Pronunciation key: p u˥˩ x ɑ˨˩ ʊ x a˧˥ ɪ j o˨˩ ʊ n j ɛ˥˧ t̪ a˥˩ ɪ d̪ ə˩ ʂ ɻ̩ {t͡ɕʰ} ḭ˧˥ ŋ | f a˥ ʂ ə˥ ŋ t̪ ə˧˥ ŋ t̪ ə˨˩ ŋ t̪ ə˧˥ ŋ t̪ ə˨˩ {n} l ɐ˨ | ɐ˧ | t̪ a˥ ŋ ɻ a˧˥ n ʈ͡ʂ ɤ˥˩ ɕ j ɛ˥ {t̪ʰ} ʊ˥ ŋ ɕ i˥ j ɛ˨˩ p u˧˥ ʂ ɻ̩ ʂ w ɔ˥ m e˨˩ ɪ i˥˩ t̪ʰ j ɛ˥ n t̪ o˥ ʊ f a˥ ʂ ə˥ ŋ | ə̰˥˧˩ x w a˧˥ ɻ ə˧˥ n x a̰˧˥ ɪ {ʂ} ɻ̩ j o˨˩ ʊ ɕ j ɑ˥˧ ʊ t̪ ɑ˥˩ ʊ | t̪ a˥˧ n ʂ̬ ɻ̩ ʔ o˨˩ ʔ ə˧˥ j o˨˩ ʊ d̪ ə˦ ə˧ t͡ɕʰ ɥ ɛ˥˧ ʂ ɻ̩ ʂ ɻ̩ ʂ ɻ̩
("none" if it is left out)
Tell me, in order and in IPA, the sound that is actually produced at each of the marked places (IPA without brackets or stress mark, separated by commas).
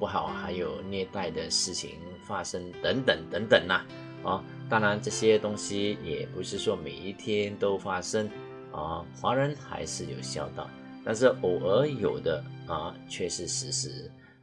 t͡ɕʰ, ŋ, t̪, ʂ